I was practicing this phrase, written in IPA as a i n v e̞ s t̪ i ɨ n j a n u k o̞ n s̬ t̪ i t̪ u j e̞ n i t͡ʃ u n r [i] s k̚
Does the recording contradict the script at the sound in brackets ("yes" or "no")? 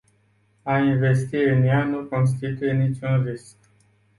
no